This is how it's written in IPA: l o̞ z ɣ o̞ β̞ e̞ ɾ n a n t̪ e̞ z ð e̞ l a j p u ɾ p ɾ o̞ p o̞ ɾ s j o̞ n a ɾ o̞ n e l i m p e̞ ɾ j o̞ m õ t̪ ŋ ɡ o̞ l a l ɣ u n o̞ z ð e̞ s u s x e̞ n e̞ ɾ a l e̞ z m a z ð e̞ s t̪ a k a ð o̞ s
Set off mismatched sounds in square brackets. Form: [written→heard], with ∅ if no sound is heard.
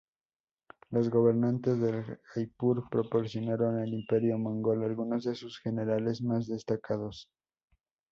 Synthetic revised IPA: l o̞ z ɣ o̞ β̞ e̞ ɾ n a n t̪ e̞ z ð e̞ l a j p u ɾ p ɾ o̞ p o̞ ɾ s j o̞ n a ɾ o̞ n e l i m p e̞ ɾ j o̞ m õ [t̪→∅] ŋ ɡ o̞ l a l ɣ u n o̞ z ð e̞ s u s x e̞ n e̞ ɾ a l e̞ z m a z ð e̞ s t̪ a k a ð o̞ s